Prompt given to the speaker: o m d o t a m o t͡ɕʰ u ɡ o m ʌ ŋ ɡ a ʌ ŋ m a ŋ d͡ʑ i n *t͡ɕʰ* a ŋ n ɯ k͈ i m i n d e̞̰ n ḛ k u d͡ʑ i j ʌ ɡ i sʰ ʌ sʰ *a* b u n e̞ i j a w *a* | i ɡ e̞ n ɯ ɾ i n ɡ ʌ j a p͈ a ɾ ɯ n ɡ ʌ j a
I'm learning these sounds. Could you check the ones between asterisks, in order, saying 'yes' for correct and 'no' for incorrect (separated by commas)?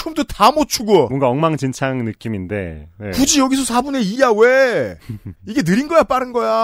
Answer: yes, yes, no